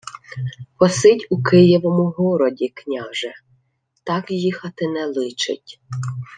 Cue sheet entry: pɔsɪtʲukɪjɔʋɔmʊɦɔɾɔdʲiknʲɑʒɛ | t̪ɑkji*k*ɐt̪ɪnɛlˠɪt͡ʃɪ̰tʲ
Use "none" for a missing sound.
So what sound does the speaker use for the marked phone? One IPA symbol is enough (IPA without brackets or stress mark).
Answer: x